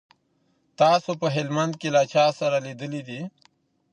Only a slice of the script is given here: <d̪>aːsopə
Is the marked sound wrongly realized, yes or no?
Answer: yes